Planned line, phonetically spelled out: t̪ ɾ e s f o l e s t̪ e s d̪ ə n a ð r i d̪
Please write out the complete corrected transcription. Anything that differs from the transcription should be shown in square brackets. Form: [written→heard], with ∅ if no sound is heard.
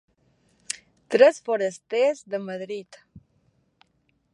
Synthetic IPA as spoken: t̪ ɾ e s f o [l→ɾ] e s t̪ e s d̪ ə [n→m] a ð [r→ɾ] i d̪